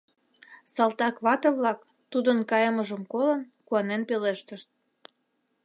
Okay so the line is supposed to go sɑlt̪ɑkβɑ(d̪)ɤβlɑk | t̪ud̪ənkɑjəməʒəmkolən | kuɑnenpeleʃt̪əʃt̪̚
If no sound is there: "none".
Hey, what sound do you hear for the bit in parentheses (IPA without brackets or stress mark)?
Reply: t̪